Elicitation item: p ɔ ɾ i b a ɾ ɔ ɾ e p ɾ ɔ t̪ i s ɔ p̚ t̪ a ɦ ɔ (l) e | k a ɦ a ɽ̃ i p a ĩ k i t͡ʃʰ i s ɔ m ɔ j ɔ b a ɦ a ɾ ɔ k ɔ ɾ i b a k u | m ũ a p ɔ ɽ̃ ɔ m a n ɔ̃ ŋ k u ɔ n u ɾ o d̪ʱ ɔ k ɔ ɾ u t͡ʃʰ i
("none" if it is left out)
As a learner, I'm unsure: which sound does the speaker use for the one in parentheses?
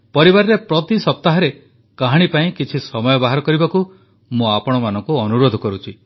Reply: ɾ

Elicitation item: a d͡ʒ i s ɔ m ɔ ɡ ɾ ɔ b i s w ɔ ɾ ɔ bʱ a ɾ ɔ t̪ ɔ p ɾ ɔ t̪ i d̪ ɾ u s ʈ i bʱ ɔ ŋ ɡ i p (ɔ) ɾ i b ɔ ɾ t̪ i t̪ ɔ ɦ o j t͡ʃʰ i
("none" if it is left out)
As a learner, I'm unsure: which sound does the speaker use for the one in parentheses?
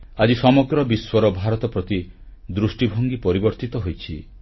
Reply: ɔ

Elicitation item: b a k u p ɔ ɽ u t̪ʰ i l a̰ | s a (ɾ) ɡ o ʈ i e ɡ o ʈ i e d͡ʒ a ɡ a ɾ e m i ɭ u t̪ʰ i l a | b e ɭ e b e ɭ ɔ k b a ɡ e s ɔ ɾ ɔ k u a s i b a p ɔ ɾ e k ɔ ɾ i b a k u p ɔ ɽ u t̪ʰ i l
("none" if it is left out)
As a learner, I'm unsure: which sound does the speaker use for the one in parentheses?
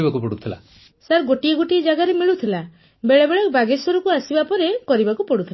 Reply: ɾ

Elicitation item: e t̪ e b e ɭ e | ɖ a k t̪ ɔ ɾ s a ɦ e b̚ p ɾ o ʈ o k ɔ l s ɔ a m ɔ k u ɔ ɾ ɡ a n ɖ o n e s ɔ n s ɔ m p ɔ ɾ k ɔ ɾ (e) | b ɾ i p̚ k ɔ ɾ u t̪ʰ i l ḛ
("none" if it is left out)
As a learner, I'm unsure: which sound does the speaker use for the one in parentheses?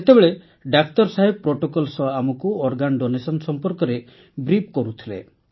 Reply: e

